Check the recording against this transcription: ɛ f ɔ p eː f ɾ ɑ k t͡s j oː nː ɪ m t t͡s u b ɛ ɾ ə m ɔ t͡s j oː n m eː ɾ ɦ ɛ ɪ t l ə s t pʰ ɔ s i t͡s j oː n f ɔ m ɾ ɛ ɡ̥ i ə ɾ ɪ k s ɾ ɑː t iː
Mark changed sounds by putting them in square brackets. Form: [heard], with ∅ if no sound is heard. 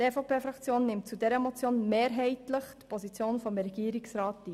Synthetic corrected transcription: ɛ f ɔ p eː f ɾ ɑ k t͡s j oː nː ɪ m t t͡s u [d] ɛ ɾ ə m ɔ t͡s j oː n m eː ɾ ɦ ɛ ɪ t l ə [χ] t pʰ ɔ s i t͡s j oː n f ɔ m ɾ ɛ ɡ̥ i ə ɾ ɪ k s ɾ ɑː t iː